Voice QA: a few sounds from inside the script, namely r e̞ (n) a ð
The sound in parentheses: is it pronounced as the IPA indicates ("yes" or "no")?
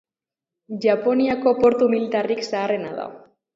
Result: yes